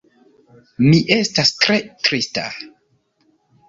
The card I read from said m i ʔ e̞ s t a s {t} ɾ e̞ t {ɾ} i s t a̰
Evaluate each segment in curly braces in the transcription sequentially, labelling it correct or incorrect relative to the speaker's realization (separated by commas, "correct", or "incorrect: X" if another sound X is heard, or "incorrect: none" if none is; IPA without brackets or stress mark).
correct, correct